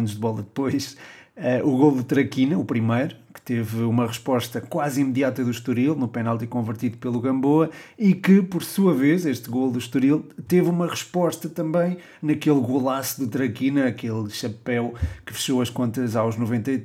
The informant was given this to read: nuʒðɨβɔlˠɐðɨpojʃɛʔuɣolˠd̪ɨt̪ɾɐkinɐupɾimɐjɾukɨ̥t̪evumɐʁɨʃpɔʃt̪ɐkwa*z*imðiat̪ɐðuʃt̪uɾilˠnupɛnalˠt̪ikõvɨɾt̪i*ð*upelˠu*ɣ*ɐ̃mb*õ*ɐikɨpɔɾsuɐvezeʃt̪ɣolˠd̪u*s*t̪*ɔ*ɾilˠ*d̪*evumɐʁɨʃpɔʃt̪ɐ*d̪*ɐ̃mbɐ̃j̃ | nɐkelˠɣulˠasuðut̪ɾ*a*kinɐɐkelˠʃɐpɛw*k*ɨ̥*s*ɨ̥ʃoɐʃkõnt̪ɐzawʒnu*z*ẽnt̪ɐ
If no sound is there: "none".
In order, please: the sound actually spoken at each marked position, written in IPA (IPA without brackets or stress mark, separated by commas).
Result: z, ð, ɣ, o, ʃ, u, t̪, t̪, ɐ, k, f, v